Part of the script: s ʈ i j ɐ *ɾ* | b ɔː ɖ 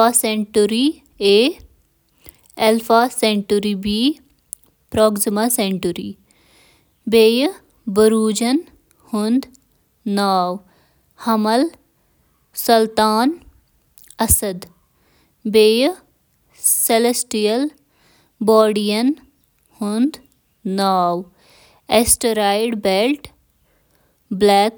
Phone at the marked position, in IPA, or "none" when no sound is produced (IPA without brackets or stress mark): l